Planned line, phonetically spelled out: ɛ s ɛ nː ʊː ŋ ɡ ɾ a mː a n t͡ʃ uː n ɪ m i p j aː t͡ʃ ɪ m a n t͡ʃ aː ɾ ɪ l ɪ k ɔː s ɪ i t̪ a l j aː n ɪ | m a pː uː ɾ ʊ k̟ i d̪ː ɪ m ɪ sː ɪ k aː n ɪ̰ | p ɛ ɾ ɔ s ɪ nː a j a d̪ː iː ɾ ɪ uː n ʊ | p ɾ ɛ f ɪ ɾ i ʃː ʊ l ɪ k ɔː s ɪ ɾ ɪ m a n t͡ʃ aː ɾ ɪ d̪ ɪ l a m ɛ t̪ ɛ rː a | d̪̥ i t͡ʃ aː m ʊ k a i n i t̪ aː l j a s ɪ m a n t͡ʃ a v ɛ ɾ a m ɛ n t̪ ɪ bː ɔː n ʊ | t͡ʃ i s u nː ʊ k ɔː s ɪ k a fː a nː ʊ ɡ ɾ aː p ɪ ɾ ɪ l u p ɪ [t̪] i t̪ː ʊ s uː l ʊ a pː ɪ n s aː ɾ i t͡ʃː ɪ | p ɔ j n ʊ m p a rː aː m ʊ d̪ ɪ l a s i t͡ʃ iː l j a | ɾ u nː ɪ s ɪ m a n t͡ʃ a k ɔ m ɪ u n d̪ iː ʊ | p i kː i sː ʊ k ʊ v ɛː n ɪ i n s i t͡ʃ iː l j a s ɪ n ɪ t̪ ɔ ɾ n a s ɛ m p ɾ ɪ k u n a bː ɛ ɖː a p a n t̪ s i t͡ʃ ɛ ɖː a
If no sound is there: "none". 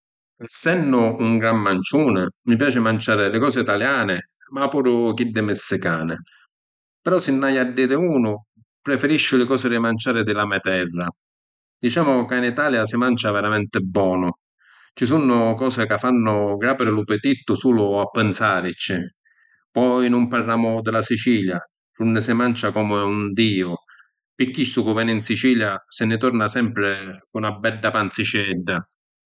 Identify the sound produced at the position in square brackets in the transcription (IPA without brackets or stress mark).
t̪